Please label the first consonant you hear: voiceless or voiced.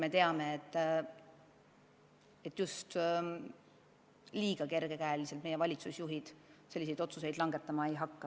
voiced